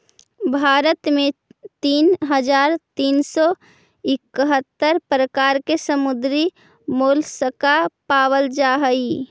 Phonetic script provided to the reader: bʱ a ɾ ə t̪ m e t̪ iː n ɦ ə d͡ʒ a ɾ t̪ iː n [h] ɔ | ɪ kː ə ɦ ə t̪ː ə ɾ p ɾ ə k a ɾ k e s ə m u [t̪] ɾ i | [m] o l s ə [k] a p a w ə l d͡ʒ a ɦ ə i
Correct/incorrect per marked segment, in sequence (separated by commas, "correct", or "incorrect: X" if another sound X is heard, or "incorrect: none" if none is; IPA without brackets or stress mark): incorrect: s, incorrect: d̪, correct, correct